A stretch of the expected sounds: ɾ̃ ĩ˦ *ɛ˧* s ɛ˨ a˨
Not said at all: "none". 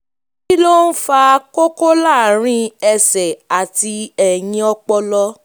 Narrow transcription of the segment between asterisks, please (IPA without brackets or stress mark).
ɛ˧